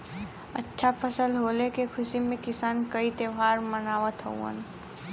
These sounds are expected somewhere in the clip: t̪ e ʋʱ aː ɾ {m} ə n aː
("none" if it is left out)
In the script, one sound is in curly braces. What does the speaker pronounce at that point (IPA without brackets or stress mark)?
m